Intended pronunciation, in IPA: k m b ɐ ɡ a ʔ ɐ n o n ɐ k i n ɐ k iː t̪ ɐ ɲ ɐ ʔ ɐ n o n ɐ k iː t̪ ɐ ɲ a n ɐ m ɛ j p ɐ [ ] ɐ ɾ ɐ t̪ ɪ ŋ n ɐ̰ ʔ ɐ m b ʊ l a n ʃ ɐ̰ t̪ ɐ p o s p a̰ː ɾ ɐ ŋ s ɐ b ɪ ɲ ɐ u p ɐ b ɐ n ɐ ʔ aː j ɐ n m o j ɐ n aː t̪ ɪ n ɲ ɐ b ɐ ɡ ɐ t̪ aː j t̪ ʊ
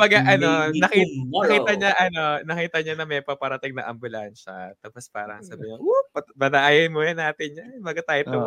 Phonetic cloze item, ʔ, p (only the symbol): p